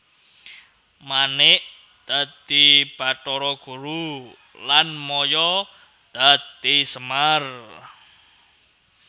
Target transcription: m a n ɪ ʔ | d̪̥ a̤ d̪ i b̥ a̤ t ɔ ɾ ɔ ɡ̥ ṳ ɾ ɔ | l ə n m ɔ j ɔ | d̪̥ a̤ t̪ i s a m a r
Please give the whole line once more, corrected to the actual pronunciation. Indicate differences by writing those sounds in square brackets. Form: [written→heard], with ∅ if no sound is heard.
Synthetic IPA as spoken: m a n ɪ ʔ | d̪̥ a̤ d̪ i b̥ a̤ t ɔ ɾ ɔ ɡ̥ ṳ ɾ [ɔ→u] | l [ə→a] n m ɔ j ɔ | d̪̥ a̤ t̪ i s [a→ə] m a r